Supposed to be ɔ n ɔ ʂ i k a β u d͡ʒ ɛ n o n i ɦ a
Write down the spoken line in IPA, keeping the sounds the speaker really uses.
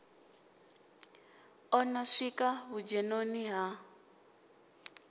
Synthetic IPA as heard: ɔ n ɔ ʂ i k a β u d͡ʒ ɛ n o n i ɦ a